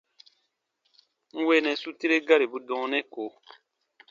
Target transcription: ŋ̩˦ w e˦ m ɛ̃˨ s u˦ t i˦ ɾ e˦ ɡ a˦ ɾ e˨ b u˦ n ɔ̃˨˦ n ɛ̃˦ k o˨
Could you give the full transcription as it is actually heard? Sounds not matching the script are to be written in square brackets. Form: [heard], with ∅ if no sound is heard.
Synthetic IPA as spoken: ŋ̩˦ w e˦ [n] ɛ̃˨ s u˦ t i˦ ɾ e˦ ɡ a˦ ɾ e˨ b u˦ [d] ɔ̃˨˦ n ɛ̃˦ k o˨